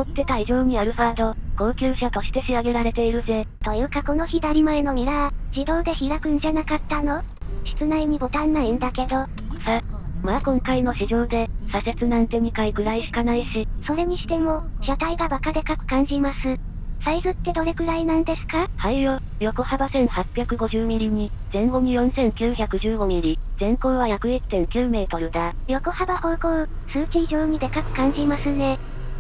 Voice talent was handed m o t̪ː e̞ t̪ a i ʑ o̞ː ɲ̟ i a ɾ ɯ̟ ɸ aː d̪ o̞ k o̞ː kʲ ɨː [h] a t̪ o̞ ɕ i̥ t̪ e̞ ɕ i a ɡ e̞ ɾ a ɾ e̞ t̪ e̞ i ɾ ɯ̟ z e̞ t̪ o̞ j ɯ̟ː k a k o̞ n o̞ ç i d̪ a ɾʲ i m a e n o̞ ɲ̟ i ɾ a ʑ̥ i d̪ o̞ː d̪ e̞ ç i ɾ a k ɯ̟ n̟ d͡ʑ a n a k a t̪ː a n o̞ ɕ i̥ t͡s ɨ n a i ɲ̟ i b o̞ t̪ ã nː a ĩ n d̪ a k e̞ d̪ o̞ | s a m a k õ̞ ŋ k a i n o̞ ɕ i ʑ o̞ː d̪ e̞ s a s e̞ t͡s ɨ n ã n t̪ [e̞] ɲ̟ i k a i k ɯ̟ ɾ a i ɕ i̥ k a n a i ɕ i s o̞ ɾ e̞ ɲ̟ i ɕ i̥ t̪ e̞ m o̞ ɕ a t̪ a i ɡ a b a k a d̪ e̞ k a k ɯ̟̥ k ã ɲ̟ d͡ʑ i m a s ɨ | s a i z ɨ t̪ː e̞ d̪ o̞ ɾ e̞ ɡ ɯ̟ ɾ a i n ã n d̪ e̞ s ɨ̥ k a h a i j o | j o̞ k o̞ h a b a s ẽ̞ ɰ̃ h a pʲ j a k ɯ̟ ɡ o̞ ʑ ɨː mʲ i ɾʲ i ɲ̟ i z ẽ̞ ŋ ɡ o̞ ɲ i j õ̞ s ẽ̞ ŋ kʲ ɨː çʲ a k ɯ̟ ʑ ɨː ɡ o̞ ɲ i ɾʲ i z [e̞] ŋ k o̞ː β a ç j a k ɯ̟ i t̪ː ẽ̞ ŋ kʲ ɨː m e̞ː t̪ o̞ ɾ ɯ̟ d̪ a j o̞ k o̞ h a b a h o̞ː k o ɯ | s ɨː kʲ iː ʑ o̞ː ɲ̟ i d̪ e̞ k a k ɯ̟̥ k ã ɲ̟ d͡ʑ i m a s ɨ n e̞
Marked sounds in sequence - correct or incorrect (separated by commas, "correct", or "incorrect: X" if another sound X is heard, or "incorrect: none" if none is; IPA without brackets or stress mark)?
incorrect: ɕ, correct, incorrect: ẽ̞